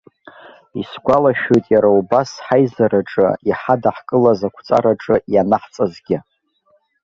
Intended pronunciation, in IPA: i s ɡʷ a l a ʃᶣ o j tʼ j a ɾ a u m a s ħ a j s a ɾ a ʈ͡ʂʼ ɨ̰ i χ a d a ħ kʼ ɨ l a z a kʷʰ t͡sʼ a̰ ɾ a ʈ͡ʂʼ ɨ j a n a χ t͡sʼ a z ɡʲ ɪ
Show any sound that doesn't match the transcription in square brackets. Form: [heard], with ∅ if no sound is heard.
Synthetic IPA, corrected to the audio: i s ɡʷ a l a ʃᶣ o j tʼ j a ɾ a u [b] a s ħ a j [z] a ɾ a ʈ͡ʂʼ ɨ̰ i [ħ] a d a ħ kʼ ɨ l a z a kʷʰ t͡sʼ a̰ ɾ a ʈ͡ʂʼ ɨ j a n a [ħ] t͡sʼ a z ɡʲ ɪ